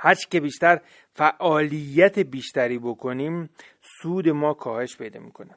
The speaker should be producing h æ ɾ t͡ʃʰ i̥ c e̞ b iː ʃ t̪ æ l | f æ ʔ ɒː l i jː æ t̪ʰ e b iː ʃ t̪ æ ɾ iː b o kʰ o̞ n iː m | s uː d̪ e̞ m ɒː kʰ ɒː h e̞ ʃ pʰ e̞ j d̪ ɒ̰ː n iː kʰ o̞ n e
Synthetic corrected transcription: h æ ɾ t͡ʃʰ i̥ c e̞ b iː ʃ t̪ æ ɾ | f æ ʔ ɒː l i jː æ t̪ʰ e b iː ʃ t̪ æ ɾ iː b o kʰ o̞ n iː m | s uː d̪ e̞ m ɒː kʰ ɒː h e̞ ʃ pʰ e̞ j d̪ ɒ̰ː m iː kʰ o̞ n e